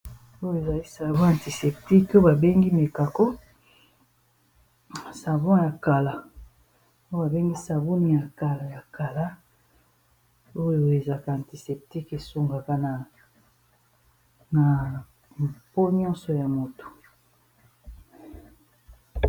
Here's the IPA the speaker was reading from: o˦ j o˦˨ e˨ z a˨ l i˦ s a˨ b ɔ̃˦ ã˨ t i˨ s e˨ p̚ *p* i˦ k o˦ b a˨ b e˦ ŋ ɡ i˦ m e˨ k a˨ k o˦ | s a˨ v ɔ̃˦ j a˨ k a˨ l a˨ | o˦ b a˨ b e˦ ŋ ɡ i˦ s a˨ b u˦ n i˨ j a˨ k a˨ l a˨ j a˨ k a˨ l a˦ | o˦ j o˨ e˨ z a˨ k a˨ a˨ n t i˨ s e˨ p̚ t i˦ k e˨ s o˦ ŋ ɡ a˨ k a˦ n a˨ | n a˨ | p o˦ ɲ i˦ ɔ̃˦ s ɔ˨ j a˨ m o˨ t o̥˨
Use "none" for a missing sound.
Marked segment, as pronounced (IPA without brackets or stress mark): t